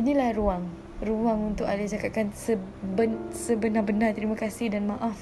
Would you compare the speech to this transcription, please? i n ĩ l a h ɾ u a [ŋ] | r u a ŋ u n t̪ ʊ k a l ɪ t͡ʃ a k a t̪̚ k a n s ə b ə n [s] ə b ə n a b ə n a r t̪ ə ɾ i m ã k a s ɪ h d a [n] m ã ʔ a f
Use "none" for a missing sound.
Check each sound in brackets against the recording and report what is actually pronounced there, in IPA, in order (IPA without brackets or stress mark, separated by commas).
ŋ, s, n